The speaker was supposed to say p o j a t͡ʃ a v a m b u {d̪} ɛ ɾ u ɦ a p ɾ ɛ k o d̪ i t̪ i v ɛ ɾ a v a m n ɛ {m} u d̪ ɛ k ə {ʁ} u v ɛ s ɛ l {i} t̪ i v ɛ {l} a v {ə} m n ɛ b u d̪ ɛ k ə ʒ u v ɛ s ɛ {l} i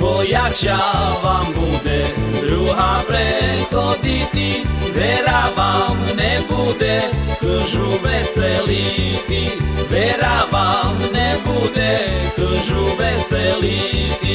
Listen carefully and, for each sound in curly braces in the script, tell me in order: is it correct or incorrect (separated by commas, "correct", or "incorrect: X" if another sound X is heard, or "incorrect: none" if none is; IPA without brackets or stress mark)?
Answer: correct, incorrect: b, incorrect: ʒ, correct, incorrect: ɾ, incorrect: a, correct